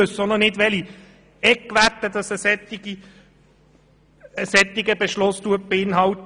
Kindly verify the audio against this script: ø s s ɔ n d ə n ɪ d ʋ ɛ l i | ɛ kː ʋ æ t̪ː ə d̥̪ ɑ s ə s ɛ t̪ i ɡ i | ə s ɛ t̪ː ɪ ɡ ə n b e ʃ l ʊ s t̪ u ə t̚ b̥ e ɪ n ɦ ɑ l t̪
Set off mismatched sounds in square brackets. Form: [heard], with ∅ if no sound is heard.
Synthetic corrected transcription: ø s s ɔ n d ə n ɪ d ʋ ɛ l i | ɛ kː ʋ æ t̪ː ə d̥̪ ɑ s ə s ɛ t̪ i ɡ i | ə s ɛ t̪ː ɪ ɡ ə [∅] b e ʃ l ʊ s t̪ u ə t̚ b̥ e ɪ n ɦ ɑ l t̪